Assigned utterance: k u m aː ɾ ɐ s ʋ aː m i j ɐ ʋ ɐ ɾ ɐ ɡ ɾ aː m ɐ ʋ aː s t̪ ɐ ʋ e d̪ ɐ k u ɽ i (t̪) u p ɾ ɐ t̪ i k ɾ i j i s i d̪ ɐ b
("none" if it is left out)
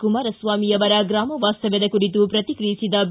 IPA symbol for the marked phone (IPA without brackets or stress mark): t̪